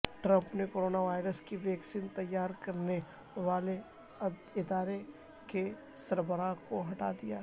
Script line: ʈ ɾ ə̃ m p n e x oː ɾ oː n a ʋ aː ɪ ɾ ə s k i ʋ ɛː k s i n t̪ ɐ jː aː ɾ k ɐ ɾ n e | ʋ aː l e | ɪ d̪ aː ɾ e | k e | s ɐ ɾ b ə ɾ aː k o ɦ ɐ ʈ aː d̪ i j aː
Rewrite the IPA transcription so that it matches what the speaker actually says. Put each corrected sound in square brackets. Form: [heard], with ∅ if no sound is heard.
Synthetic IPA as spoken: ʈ ɾ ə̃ m p n e [k] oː ɾ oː n a ʋ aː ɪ ɾ ə s k i ʋ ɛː k s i n t̪ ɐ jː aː ɾ k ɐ ɾ n e | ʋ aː l e | ɪ d̪ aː ɾ e | k e | s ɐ ɾ b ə ɾ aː k o ɦ ɐ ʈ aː d̪ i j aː